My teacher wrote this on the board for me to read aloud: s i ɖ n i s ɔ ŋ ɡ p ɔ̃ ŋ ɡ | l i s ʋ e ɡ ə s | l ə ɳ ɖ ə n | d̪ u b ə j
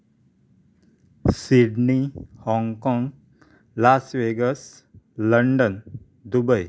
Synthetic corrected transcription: s i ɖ n i h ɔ ŋ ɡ k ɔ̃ ŋ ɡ | l a s ʋ e ɡ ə s | l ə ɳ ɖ ə n | d̪ u b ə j